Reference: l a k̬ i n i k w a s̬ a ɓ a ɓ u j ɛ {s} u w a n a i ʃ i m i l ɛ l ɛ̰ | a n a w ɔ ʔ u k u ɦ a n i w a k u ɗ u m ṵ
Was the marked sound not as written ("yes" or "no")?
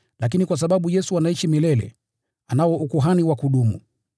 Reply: no